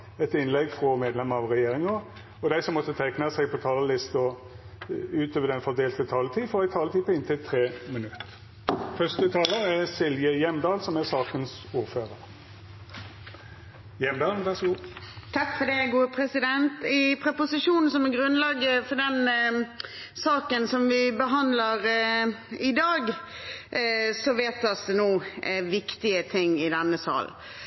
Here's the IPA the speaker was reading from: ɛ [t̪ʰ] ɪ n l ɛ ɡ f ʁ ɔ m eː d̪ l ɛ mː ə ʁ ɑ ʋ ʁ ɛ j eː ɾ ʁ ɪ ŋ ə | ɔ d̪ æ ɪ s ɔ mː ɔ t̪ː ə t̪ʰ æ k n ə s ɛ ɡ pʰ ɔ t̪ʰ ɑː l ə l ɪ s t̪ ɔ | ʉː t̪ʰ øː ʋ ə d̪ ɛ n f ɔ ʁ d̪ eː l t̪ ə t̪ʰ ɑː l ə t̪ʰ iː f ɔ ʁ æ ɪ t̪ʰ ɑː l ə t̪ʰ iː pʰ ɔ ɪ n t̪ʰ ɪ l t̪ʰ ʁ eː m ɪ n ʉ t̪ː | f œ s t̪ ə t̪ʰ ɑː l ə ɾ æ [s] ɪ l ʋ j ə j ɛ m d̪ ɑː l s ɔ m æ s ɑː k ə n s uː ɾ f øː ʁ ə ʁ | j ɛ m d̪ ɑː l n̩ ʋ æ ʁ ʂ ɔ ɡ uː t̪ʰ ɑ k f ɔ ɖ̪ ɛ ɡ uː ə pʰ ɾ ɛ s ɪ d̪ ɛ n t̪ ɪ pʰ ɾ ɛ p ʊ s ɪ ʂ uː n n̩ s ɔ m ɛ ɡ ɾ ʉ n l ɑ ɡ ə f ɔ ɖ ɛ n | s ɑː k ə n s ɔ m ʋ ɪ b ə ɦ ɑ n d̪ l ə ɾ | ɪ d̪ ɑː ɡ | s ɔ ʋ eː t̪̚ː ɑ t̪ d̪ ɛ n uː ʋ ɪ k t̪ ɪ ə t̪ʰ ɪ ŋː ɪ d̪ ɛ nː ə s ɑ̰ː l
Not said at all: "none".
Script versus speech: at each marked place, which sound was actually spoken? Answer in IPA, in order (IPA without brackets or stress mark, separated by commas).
t̪, s